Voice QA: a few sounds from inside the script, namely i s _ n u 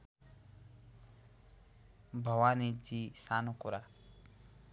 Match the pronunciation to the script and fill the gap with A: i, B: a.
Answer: B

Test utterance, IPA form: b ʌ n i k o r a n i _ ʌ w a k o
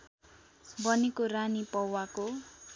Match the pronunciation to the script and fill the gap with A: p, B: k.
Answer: A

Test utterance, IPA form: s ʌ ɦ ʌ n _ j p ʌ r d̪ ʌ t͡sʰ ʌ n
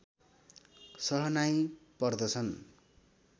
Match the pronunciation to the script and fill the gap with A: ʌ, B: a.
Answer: B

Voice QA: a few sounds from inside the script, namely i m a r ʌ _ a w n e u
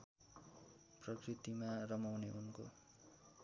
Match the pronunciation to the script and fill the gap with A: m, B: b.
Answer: A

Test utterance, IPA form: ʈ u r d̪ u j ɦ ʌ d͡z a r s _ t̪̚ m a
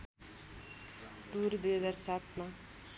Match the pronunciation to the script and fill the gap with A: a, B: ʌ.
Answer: A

